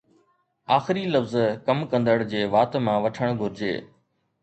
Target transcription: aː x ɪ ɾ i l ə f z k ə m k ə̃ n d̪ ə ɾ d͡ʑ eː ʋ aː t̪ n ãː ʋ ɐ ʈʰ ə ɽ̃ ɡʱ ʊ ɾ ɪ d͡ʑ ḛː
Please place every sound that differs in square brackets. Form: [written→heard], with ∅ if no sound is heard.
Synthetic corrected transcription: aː x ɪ ɾ i l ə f z k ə m k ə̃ n d̪ ə [ɾ→ɽ] d͡ʑ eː ʋ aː t̪ [n→m] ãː ʋ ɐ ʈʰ ə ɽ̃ ɡʱ ʊ ɾ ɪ d͡ʑ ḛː